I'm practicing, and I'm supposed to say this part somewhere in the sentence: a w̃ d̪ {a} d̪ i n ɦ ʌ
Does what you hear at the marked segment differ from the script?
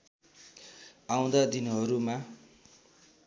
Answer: no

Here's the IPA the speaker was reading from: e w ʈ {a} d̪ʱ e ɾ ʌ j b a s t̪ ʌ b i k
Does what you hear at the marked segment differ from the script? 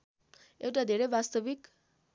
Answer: no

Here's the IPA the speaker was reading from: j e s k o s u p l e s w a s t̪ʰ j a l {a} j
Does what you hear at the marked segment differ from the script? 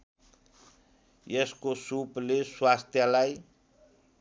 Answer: no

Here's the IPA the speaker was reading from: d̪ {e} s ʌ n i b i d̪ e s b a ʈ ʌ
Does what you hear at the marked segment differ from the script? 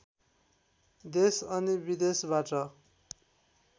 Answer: no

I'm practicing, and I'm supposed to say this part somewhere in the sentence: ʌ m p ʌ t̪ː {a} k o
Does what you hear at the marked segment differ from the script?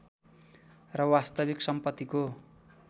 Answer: yes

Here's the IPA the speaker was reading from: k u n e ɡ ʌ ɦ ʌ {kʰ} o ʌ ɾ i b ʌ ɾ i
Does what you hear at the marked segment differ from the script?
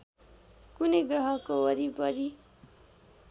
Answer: yes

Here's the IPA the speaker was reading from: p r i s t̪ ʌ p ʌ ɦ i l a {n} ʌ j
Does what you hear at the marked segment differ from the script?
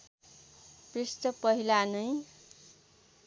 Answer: no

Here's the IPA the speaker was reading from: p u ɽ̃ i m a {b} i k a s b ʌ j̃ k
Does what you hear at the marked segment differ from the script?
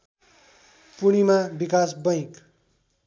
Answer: no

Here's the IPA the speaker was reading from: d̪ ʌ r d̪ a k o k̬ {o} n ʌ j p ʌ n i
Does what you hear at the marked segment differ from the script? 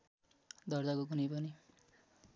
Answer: yes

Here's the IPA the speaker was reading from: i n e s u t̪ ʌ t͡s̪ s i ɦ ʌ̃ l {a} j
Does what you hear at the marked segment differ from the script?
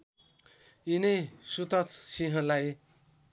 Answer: no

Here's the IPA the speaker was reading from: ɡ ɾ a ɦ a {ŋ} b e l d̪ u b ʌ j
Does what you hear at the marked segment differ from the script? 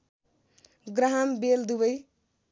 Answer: yes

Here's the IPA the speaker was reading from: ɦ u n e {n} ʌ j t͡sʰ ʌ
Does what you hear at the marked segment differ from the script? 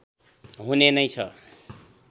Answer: no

